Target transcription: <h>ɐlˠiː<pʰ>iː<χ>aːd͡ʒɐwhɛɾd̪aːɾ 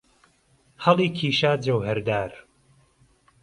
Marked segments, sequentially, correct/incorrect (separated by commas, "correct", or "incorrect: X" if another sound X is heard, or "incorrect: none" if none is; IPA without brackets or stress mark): correct, incorrect: kʰ, incorrect: ʃ